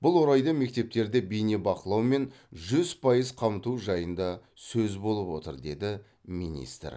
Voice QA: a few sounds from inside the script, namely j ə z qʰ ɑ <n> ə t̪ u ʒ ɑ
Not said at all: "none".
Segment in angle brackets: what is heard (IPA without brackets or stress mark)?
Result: m